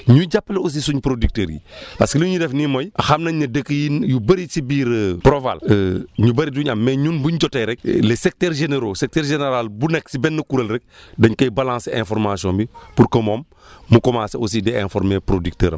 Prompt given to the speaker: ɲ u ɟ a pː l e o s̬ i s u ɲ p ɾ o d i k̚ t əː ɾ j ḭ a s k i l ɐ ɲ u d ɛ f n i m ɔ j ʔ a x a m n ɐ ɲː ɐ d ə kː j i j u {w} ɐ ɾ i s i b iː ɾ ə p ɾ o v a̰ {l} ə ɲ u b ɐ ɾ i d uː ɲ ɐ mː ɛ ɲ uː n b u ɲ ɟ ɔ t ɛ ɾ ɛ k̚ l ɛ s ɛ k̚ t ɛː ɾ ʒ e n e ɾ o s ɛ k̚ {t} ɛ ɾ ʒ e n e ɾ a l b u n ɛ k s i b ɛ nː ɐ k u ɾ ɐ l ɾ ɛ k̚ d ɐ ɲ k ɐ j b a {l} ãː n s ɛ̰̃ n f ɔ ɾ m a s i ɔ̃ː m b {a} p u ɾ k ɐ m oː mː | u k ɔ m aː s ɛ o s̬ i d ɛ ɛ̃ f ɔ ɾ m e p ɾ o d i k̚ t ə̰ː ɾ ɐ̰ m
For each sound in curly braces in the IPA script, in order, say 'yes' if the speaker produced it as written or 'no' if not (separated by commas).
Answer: no, yes, yes, yes, no